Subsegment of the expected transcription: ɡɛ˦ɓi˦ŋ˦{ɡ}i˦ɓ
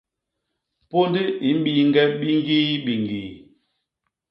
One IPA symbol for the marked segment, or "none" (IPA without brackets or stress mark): ɡ